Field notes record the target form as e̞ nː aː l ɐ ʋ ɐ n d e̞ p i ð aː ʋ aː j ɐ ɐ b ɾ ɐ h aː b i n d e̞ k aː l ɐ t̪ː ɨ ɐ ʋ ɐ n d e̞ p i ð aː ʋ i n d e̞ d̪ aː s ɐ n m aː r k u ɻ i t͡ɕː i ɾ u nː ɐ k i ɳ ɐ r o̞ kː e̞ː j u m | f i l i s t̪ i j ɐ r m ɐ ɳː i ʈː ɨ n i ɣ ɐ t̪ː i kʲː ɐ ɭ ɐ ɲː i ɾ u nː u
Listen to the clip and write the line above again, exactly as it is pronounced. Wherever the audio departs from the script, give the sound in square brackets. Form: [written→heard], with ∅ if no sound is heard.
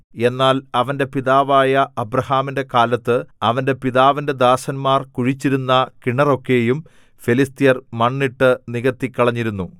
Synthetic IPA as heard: e̞ nː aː l ɐ ʋ ɐ n d e̞ p i ð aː ʋ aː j ɐ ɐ b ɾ ɐ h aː [b→m] i n d e̞ k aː l ɐ t̪ː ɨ ɐ ʋ ɐ n d e̞ p i ð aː ʋ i n d e̞ d̪ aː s ɐ n m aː r k u ɻ i t͡ɕː i ɾ u nː ɐ k i ɳ ɐ r o̞ kː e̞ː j u m | f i l i s t̪ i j ɐ r m ɐ ɳː i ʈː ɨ n i ɣ ɐ t̪ː i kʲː ɐ ɭ ɐ ɲː i ɾ u nː u

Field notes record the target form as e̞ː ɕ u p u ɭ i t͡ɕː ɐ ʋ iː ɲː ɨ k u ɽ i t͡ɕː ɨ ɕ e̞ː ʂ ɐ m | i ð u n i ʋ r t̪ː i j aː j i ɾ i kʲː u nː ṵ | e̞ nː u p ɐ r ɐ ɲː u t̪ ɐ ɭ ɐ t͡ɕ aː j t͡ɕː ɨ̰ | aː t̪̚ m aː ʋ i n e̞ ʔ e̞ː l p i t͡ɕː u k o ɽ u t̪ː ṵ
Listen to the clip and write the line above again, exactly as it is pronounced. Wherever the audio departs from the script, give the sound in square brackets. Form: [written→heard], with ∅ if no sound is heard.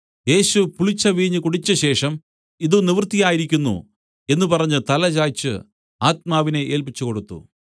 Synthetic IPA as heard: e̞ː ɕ u p u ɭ i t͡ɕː ɐ ʋ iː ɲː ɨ k u ɽ i t͡ɕː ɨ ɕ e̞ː ʂ ɐ m | i ð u n i ʋ r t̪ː i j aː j i ɾ i kʲː u nː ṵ | e̞ nː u p ɐ r ɐ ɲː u t̪ ɐ [ɭ→l] ɐ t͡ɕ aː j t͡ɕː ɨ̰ | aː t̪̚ m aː ʋ i n e̞ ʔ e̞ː l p i t͡ɕː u k o ɽ u t̪ː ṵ

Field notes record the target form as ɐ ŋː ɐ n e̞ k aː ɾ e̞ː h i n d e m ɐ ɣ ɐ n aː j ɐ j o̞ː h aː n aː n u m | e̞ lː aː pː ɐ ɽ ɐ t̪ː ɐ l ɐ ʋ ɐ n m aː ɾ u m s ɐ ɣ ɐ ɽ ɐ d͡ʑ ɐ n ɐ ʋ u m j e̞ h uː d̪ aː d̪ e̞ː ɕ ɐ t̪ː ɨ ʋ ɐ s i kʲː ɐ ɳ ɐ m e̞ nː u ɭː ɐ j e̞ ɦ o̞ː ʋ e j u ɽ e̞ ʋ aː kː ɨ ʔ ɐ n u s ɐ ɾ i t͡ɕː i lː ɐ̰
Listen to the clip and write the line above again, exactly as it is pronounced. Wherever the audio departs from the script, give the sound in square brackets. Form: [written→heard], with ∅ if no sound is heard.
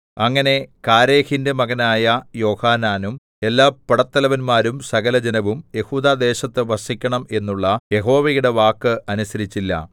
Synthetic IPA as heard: ɐ ŋː ɐ n e̞ k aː ɾ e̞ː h i n d e m ɐ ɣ ɐ n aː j ɐ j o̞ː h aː n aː n u m | e̞ lː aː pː ɐ ɽ ɐ t̪ː ɐ l ɐ ʋ ɐ n m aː ɾ u m s ɐ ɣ ɐ [ɽ→l] ɐ d͡ʑ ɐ n ɐ ʋ u m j e̞ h uː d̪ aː d̪ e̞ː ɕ ɐ t̪ː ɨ ʋ ɐ s i kʲː ɐ ɳ ɐ m e̞ nː u ɭː ɐ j e̞ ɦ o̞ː ʋ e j u ɽ e̞ ʋ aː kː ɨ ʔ ɐ n u s ɐ ɾ i t͡ɕː i lː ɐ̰

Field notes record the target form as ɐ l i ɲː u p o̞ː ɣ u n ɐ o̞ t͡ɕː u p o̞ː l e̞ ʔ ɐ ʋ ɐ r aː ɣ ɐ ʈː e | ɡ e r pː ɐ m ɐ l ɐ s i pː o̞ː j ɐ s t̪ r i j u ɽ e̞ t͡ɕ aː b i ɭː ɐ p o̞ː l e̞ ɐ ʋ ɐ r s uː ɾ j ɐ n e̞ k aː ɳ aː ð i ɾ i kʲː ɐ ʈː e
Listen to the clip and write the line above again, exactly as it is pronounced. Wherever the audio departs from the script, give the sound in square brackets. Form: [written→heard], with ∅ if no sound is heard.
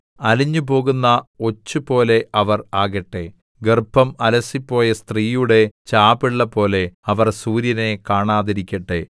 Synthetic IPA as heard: ɐ l i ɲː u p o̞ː ɣ u [n→nː] ɐ o̞ t͡ɕː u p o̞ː l e̞ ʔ ɐ ʋ ɐ r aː ɣ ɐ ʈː e | ɡ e r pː ɐ m ɐ l ɐ s i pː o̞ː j ɐ s t̪ r [i→iː] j u ɽ e̞ t͡ɕ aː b i ɭː ɐ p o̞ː l e̞ ɐ ʋ ɐ r s uː ɾ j ɐ n e̞ k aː ɳ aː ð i ɾ i kʲː ɐ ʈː e

